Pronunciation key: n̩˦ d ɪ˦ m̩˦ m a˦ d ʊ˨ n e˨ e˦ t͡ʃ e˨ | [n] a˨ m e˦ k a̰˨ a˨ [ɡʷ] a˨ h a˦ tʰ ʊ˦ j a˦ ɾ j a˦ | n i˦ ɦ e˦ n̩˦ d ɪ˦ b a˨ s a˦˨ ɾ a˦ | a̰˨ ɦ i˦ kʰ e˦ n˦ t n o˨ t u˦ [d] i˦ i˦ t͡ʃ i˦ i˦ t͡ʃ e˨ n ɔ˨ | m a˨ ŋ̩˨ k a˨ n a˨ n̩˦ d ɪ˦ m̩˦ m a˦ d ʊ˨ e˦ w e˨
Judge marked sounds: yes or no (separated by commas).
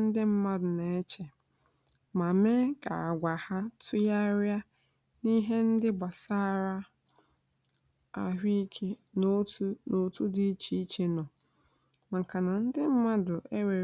no, yes, yes